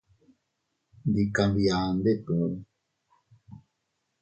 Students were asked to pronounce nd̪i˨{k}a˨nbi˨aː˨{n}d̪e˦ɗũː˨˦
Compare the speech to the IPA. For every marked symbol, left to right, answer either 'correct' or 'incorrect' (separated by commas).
correct, correct